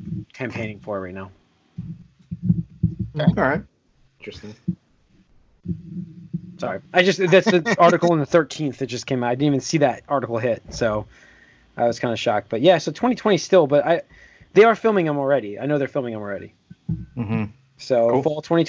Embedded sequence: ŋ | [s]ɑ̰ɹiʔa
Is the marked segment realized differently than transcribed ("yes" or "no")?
no